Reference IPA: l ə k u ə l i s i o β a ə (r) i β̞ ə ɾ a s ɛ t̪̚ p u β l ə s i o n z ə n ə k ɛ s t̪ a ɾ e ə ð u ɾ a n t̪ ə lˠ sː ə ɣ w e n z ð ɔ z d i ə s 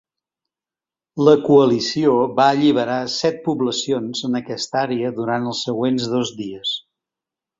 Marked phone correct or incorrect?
incorrect